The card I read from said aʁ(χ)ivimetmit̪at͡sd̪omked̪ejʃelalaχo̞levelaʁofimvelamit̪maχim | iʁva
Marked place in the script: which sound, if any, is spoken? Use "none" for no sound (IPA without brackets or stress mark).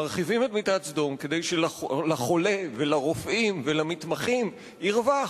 χ